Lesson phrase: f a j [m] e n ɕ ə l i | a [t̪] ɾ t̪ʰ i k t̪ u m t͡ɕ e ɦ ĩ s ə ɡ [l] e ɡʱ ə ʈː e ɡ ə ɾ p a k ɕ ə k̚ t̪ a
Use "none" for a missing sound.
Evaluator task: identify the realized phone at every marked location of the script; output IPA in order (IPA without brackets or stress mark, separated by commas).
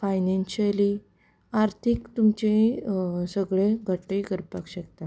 n, none, ɭ